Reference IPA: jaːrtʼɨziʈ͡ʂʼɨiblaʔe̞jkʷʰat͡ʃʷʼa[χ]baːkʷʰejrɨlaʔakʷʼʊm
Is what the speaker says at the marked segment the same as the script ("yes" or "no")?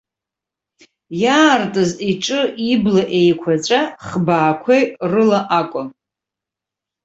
yes